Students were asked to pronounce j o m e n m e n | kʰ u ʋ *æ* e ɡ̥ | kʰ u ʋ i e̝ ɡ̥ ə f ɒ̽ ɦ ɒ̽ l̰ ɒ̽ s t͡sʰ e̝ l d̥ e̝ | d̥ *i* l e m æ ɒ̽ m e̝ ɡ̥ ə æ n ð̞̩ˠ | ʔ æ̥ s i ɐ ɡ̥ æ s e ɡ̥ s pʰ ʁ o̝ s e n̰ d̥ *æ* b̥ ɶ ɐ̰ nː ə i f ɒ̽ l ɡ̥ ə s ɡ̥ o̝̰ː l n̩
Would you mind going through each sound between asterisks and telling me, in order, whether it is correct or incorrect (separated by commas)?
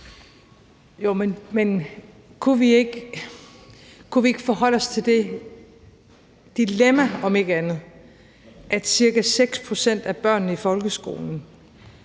incorrect, correct, correct